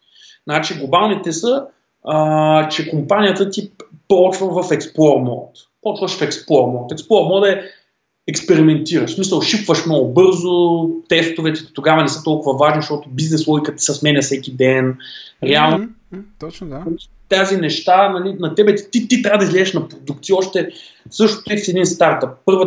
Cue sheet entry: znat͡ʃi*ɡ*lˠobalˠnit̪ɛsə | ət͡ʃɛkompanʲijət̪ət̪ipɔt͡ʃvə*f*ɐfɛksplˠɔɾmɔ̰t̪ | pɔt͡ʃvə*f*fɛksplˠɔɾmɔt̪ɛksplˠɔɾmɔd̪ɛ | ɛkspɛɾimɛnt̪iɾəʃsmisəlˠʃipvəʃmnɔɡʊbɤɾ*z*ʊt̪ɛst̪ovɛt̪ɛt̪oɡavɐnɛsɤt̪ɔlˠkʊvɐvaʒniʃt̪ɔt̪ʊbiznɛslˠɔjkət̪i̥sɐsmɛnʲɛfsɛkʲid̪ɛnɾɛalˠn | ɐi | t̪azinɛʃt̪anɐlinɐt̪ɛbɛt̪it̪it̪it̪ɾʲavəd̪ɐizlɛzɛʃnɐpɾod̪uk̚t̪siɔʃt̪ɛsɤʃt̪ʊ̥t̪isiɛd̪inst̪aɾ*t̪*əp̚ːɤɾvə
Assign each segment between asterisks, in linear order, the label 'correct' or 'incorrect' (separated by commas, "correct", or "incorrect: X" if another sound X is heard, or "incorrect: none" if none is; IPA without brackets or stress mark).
correct, incorrect: v, incorrect: ʃ, correct, correct